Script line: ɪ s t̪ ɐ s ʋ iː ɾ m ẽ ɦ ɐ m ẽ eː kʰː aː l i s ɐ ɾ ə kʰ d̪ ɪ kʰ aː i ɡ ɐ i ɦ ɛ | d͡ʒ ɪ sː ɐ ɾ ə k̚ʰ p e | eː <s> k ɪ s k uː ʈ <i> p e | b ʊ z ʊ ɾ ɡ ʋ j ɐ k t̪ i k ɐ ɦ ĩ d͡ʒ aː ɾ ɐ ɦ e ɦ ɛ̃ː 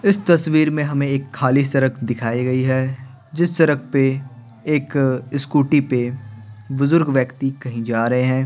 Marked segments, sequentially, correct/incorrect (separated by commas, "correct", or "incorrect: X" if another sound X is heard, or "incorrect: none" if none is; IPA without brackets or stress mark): incorrect: none, correct